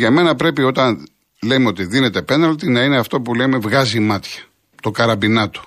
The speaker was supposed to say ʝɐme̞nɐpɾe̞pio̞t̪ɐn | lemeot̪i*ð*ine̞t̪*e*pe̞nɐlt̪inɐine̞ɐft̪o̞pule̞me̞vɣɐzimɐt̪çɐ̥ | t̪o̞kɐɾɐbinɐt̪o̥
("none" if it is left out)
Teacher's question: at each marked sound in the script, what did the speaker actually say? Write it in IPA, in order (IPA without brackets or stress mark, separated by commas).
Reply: ð, e